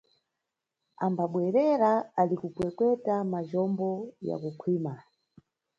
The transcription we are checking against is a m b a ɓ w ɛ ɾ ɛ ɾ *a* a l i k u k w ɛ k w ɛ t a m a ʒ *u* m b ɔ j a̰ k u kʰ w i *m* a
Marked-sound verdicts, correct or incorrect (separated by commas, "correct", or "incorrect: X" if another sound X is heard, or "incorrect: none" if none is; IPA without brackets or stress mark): correct, incorrect: ɔ, correct